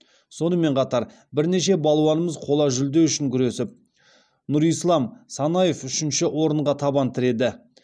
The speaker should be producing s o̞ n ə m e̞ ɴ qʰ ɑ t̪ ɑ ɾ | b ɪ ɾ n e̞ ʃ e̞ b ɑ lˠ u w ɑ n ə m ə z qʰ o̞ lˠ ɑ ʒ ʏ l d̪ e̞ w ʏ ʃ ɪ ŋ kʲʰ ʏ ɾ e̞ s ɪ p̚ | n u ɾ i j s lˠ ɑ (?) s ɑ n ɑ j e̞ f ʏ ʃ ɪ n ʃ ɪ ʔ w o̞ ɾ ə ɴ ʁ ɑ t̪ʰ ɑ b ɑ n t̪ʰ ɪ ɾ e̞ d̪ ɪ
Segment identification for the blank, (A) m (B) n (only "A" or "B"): A